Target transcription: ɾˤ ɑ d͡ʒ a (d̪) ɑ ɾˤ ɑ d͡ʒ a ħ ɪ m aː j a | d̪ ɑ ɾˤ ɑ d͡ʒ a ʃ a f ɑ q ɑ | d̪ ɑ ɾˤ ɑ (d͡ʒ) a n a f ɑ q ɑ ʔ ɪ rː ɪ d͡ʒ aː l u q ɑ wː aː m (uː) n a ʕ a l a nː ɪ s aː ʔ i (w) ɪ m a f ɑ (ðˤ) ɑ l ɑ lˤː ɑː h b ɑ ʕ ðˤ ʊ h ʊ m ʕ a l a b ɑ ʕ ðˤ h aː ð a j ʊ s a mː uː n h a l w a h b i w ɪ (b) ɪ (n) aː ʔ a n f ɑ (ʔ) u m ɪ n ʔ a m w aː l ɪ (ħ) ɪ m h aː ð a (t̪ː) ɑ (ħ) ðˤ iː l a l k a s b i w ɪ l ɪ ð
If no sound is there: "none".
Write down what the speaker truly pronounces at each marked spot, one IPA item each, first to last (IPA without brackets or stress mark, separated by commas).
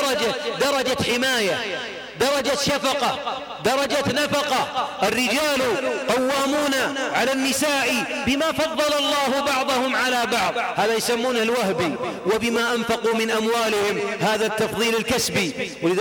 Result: d̪, d͡ʒ, uː, b, ðˤː, b, m, q, h, t̪ː, f